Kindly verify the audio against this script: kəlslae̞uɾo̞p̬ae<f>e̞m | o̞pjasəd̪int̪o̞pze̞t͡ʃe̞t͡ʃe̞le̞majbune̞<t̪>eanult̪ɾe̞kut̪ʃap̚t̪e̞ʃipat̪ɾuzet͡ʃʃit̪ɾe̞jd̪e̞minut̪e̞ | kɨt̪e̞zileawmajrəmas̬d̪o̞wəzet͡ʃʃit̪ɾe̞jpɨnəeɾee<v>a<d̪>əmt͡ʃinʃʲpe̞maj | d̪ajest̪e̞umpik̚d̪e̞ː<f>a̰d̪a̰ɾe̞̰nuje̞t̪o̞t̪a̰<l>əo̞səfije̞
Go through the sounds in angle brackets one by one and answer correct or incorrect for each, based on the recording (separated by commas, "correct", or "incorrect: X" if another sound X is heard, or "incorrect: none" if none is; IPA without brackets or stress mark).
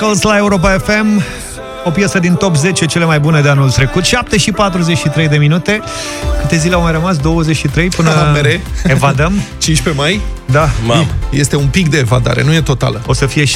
correct, incorrect: d̪, correct, correct, incorrect: v, correct